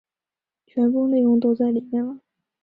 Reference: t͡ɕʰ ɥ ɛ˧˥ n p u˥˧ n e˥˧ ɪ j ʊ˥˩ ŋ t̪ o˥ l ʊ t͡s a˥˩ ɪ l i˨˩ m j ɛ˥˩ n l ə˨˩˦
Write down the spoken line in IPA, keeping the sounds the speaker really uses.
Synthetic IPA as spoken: t͡ɕʰ ɥ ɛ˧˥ n p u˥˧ n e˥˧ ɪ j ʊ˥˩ ŋ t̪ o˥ ʊ t͡s a˥˩ ɪ l i˨˩ m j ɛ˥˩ n l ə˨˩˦